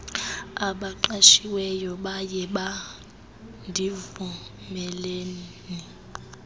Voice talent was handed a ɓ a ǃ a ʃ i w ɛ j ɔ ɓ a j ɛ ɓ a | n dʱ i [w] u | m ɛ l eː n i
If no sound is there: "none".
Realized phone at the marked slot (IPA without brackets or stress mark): v